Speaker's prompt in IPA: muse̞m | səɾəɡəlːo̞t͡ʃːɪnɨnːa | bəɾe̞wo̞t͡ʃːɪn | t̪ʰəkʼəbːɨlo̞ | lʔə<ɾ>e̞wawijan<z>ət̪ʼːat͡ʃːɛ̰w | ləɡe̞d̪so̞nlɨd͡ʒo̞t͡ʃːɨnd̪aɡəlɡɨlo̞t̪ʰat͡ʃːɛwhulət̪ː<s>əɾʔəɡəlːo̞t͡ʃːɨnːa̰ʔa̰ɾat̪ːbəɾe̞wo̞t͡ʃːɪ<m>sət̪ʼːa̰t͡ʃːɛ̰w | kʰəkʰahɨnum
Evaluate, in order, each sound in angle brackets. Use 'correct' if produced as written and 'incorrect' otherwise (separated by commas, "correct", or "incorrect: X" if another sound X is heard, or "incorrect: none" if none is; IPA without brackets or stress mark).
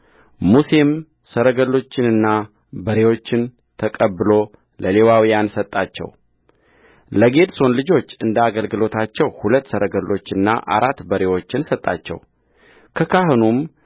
incorrect: l, incorrect: s, correct, incorrect: n